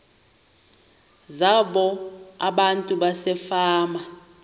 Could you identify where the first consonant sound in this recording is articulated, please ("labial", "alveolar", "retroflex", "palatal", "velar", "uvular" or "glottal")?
alveolar